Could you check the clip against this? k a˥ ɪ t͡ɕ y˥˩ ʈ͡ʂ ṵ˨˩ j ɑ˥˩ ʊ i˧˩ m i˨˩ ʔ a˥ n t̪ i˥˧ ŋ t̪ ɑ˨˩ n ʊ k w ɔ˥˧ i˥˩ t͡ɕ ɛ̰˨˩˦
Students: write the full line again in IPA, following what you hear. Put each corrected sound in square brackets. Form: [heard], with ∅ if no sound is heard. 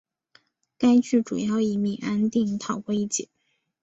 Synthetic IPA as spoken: k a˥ ɪ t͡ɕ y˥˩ ʈ͡ʂ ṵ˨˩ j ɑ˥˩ ʊ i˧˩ m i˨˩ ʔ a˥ n t̪ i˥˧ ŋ [t̪ʰ] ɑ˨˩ [∅] ʊ k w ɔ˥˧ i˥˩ t͡ɕ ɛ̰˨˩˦